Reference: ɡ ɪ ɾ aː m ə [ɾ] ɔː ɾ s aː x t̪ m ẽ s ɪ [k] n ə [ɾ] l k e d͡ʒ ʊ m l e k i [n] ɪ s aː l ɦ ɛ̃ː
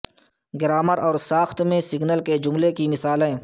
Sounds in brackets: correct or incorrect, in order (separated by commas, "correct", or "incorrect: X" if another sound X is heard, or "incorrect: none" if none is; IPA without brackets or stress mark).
correct, incorrect: ɡ, incorrect: none, incorrect: m